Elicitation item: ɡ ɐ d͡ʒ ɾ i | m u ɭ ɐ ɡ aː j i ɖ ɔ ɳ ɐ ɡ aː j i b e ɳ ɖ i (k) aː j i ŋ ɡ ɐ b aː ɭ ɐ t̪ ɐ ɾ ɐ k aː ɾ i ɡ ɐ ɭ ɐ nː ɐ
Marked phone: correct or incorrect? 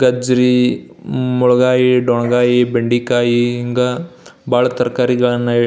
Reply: correct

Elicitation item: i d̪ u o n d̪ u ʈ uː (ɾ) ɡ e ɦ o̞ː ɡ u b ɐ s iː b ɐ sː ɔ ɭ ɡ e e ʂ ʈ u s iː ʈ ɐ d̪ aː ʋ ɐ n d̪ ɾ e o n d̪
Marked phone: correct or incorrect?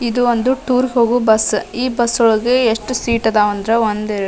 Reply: correct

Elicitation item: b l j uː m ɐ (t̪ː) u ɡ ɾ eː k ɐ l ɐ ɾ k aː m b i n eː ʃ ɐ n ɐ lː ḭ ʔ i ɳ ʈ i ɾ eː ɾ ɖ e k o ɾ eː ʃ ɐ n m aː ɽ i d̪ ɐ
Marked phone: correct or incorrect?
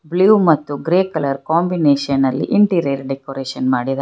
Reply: correct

